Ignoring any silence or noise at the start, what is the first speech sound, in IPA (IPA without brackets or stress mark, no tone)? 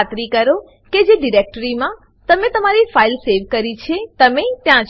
t̪